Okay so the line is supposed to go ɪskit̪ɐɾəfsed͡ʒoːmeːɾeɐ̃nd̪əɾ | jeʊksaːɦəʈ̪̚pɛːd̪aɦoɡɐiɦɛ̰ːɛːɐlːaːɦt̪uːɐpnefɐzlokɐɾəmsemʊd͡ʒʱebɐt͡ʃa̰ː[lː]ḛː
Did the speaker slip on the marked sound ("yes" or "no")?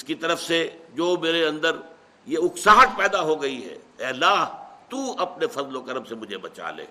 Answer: yes